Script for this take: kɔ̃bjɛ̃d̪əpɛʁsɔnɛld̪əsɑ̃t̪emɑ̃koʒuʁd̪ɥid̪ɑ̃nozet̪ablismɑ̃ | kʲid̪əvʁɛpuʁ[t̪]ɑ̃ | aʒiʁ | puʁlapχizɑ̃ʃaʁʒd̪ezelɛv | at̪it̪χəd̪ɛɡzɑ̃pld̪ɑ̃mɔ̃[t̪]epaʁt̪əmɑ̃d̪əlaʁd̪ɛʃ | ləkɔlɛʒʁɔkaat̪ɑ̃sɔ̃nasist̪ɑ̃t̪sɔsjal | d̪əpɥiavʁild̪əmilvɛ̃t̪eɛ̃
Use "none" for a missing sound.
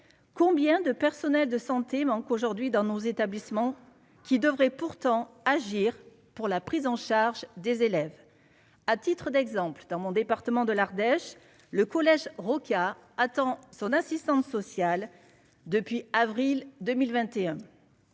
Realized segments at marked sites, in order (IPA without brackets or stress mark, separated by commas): t̪, d̪